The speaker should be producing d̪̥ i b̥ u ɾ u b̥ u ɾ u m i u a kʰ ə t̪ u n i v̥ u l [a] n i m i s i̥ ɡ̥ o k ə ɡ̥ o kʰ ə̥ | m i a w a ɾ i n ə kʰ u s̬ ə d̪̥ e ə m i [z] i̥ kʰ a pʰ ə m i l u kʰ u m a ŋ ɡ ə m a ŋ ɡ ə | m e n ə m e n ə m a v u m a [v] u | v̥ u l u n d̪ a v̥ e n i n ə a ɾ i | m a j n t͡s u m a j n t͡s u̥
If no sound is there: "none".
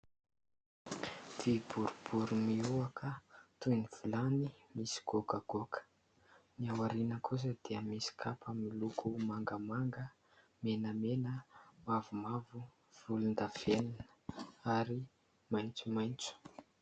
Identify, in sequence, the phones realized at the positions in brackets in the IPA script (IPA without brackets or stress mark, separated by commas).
a, s, v